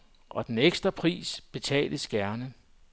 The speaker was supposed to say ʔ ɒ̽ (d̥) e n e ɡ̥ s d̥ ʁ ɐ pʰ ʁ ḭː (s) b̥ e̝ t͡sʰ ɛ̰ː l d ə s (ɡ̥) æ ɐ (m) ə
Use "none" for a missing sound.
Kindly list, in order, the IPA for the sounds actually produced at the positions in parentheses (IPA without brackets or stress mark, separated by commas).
d̥, s, ɡ̥, n